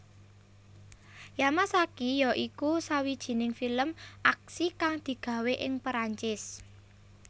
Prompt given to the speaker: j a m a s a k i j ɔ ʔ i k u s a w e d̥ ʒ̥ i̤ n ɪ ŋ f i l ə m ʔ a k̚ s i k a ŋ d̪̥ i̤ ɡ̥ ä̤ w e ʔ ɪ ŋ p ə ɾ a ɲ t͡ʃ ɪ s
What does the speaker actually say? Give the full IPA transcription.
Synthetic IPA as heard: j a m a s a k i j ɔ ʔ i k u s a w i d̥ ʒ̥ i̤ n ɪ ŋ f i l ə m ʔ a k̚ s i k a ŋ d̪̥ i̤ ɡ̥ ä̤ w e ʔ ɪ ŋ p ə ɾ a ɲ t͡ʃ ɪ s